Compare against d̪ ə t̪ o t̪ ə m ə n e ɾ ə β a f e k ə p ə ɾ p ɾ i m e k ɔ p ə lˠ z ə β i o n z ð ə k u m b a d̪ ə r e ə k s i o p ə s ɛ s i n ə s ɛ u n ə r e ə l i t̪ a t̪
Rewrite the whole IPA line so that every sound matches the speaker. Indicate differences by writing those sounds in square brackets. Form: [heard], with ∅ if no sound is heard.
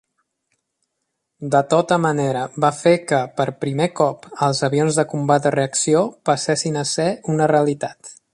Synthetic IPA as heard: d̪ ə t̪ o t̪ ə m ə n e ɾ ə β a f e k ə p ə ɾ p ɾ i m e k ɔ p ə lˠ z ə β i o n z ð ə k u m b a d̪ ə r e ə k s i o p ə s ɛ s i n ə s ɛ u n ə r e ə l i t̪ a t̪

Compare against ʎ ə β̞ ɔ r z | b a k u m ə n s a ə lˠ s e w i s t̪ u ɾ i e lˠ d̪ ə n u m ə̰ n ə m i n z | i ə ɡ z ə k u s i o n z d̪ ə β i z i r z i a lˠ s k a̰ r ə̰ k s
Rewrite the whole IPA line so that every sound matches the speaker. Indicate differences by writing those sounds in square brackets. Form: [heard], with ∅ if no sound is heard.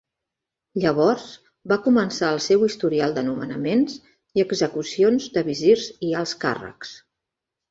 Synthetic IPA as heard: ʎ ə β̞ ɔ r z | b a k u m ə n s a ə lˠ s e w i s t̪ u ɾ i [a] lˠ d̪ ə n u m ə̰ n ə m [e] n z | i ə ɡ z ə k u s i o n z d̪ ə β i z i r z i a lˠ s k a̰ r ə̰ k s

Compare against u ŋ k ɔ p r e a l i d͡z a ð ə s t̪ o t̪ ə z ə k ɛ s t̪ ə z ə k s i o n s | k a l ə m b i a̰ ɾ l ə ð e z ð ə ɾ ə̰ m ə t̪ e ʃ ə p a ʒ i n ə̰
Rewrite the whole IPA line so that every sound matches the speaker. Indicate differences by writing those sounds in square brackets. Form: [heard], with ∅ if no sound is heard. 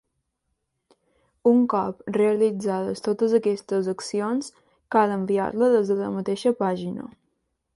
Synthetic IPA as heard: u ŋ k ɔ p r e [ə] l i d͡z a ð ə s t̪ o t̪ ə z ə k ɛ s t̪ ə z ə k s i o n s | k a l ə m b i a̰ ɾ l ə ð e z ð ə [l] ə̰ m ə t̪ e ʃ ə p a ʒ i n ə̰

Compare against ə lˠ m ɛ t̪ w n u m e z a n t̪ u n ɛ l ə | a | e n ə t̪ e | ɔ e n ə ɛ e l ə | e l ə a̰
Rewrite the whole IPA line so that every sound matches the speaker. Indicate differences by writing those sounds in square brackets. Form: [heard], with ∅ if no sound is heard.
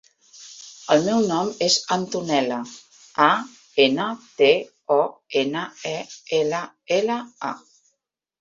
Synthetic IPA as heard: ə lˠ m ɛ [∅] w n [ɔ] m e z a n t̪ u n ɛ l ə | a | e n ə t̪ e | ɔ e n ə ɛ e l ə | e l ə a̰

